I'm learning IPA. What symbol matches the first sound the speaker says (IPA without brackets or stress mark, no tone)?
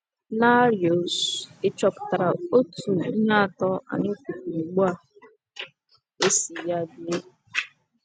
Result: n